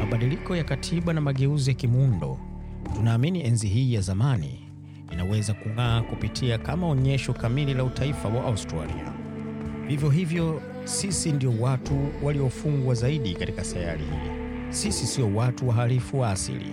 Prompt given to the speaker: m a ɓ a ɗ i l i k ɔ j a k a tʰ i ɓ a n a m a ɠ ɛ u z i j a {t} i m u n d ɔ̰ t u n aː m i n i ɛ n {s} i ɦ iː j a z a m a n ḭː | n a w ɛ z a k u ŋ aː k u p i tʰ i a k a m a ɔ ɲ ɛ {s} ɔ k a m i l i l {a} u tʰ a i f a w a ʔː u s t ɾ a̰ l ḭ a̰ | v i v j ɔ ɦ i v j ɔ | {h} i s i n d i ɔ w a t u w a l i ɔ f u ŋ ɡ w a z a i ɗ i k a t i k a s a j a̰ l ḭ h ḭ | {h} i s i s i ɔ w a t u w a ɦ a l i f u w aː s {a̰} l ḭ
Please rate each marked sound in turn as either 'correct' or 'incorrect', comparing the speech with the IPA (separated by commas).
incorrect, incorrect, incorrect, correct, incorrect, incorrect, incorrect